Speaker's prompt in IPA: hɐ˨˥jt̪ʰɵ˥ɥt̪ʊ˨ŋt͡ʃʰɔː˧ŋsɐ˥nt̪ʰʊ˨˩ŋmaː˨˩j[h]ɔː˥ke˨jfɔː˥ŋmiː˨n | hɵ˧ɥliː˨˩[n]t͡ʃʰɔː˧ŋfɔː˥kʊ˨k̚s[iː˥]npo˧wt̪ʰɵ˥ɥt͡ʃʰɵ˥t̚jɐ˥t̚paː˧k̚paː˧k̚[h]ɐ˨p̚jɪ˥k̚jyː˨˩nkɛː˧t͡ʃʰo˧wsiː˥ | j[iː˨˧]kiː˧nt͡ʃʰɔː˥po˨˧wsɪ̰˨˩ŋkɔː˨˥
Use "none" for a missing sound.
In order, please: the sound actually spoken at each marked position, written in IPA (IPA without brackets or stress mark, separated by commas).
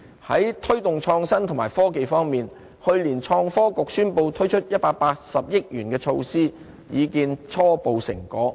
f, n, yː˥, s, iː˨˧